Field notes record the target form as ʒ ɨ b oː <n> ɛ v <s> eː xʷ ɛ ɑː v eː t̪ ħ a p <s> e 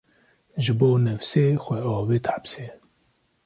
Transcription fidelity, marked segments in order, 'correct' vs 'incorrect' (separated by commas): correct, correct, correct